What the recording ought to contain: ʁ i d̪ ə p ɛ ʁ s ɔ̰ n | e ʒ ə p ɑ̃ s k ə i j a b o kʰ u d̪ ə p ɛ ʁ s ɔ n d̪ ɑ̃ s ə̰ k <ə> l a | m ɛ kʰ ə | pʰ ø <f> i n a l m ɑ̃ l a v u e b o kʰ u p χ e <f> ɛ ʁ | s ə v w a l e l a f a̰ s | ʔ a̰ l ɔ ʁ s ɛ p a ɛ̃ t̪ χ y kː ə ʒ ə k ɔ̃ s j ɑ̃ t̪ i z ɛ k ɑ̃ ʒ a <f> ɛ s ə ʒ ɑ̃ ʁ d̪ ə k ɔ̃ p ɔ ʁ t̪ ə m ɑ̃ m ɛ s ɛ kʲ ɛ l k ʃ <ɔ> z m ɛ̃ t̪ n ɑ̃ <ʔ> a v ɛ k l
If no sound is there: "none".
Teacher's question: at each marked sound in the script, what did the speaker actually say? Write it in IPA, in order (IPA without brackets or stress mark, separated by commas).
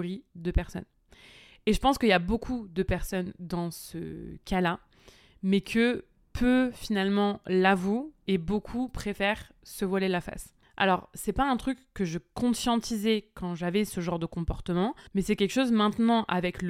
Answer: a, f, f, v, o, ʔ